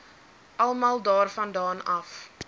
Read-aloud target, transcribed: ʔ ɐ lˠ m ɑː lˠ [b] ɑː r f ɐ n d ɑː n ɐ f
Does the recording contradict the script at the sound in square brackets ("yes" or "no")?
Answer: yes